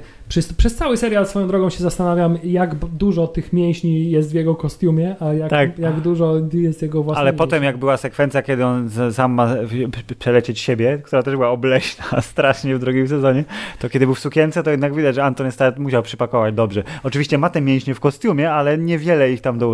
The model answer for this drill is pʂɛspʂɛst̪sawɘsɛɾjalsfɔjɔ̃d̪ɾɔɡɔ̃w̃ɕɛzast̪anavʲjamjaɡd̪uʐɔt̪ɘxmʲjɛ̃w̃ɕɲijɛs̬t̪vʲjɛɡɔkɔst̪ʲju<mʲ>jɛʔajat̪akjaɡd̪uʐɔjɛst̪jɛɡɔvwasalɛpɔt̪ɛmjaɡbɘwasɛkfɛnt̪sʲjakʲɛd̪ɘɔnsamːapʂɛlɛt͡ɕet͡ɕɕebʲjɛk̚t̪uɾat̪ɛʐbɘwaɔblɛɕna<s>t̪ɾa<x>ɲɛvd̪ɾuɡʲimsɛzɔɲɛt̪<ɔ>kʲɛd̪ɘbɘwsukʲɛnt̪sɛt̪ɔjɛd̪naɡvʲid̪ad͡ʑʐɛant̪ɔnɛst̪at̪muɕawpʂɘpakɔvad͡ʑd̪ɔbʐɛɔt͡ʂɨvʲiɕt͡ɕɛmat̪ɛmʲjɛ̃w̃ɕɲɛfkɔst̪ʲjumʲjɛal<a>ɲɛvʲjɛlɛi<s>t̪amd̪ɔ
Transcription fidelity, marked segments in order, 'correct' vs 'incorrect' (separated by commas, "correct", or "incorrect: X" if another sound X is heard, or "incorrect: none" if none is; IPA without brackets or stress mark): correct, correct, incorrect: ʂ, correct, incorrect: ɛ, incorrect: x